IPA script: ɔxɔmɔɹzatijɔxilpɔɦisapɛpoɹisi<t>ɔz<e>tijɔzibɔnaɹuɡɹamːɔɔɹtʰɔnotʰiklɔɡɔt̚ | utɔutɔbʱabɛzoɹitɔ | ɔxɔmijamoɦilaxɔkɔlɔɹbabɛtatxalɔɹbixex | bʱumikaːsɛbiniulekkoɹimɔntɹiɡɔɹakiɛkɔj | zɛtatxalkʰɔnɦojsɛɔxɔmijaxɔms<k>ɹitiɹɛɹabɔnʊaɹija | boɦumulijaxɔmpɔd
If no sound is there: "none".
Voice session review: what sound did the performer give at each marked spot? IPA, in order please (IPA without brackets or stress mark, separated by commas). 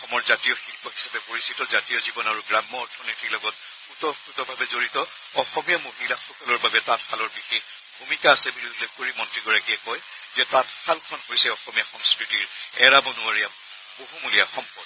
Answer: t, a, k